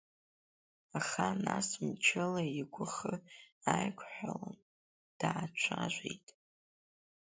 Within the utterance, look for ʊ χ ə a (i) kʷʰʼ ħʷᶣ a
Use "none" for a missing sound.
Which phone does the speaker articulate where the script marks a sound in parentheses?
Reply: j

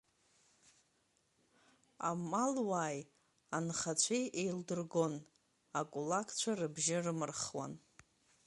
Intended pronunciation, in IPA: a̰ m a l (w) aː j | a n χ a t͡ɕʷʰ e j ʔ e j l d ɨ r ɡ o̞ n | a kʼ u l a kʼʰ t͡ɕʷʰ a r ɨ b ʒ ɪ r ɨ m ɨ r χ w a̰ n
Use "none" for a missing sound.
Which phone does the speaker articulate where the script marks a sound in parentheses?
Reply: w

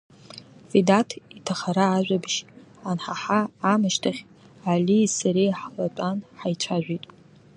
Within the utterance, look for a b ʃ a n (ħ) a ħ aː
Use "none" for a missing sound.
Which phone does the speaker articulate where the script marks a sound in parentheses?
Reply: ħ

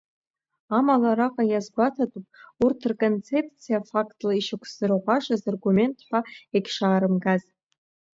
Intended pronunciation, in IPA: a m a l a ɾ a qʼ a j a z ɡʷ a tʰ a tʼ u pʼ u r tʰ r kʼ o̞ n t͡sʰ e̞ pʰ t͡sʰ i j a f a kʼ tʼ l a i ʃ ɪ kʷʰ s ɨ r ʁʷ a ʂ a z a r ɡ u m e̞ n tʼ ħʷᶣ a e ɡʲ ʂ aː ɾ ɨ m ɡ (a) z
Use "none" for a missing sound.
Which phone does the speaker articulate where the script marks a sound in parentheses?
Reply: a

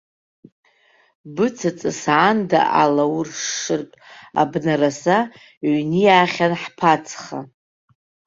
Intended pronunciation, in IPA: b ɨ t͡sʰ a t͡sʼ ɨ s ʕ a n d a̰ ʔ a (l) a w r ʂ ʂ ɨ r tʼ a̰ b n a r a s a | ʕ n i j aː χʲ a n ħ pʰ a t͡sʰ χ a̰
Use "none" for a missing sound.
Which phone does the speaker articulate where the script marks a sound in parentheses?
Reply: l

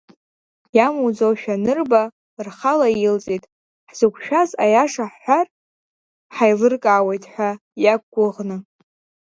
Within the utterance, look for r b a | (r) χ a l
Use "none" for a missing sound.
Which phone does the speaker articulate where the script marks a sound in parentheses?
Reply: r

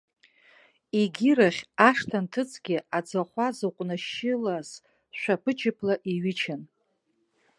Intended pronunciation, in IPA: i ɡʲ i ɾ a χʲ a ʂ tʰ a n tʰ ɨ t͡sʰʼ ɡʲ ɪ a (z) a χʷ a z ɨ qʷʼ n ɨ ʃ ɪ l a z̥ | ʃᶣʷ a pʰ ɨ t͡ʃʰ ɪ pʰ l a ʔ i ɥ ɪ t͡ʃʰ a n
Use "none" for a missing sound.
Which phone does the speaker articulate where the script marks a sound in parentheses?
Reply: d͡z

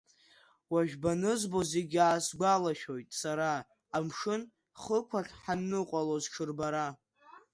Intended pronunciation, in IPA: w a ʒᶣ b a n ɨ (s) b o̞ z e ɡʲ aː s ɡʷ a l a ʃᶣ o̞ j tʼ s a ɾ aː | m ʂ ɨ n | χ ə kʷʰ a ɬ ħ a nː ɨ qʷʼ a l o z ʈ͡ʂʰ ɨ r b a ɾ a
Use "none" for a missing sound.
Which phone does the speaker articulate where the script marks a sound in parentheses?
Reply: z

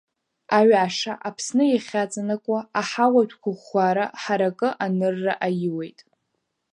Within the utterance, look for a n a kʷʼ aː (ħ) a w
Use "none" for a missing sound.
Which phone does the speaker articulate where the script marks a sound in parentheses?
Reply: ħ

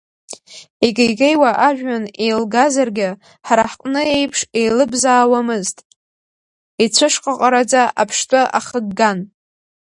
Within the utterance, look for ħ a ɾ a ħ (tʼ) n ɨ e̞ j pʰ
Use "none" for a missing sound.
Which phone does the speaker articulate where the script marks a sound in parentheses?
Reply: qʼ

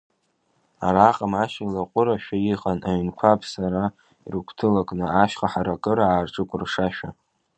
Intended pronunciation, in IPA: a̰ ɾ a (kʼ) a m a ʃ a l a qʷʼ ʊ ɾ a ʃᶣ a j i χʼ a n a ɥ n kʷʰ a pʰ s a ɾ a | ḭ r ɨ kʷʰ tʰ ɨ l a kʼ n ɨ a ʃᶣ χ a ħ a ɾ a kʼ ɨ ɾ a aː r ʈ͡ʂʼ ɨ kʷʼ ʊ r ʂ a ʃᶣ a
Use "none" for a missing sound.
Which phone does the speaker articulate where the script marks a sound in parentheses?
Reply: qʼ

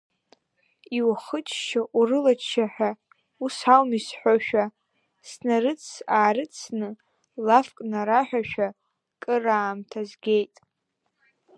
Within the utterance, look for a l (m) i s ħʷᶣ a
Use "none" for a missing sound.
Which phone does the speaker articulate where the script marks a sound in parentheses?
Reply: m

